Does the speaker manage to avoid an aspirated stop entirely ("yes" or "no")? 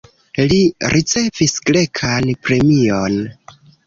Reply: no